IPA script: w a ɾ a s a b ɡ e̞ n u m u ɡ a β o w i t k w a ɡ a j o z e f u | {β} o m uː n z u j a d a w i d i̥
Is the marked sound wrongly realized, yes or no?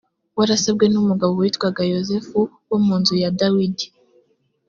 yes